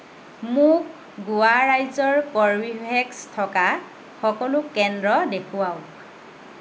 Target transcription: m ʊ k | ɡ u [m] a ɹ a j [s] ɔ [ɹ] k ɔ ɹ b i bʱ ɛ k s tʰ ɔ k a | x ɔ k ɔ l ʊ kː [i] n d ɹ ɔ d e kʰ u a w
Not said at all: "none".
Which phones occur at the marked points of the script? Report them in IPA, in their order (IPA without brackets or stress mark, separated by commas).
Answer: none, z, ɹ, ɛ